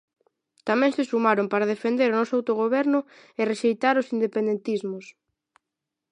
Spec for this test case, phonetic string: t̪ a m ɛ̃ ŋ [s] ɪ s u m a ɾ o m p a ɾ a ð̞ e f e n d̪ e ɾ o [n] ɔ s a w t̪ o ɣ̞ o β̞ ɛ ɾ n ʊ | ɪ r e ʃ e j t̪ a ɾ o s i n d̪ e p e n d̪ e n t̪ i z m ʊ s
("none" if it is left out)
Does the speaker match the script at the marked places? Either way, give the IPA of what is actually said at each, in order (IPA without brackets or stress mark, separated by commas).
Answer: s, n